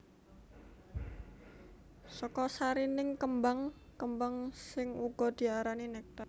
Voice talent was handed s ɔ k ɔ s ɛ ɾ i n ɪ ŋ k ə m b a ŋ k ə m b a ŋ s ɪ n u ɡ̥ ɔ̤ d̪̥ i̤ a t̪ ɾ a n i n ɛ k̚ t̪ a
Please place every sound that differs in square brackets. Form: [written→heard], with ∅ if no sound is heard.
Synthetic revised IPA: s ɔ k ɔ s [ɛ→a] ɾ i n ɪ ŋ k ə m b a ŋ k ə m b a ŋ s ɪ [n→ŋ] u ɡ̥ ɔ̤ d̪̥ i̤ a [t̪→∅] ɾ a n i n ɛ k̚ t̪ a